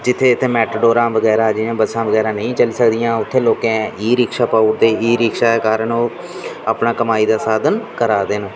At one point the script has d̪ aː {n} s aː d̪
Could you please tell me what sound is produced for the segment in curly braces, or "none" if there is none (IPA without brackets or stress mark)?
none